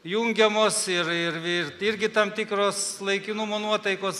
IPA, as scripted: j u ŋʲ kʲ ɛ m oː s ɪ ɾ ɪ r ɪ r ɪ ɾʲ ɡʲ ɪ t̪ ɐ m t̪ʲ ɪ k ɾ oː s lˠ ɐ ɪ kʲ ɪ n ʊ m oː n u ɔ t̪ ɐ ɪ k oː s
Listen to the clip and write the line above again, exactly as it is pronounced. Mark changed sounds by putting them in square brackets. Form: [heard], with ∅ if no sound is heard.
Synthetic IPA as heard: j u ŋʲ [ɡʲ] ɛ m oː s ɪ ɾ ɪ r ɪ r ɪ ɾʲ ɡʲ ɪ t̪ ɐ m t̪ʲ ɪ k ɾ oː s lˠ ɐ ɪ kʲ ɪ n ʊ m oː n u ɔ t̪ ɐ ɪ k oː s